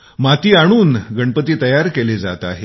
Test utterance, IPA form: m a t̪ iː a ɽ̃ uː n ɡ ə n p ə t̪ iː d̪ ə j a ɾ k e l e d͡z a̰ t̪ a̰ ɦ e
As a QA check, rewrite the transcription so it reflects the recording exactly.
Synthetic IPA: m a t̪ iː a ɽ̃ uː n ɡ ə ɳ p ə t̪ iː t̪ ə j a ɾ k e l e d͡z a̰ t̪ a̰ ɦ e